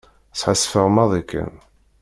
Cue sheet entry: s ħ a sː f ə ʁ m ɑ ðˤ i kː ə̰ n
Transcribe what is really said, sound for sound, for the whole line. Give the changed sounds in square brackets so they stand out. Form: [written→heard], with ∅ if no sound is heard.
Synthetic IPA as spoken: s ħ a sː f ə ʁ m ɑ ðˤ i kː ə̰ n